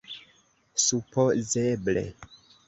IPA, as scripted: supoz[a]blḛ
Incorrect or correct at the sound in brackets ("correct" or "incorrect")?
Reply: incorrect